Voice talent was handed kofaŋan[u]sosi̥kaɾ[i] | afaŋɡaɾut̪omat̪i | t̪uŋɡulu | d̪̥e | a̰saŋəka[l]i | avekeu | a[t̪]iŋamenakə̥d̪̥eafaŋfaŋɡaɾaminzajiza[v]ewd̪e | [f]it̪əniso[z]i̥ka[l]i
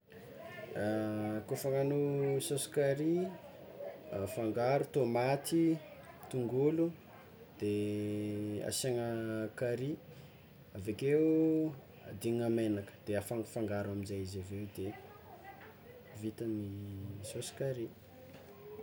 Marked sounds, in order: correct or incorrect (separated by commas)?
correct, correct, incorrect, incorrect, correct, incorrect, incorrect, incorrect